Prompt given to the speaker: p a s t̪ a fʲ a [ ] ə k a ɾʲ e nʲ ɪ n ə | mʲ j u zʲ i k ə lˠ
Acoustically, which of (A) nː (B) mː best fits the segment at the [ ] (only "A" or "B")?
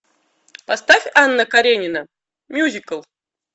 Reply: A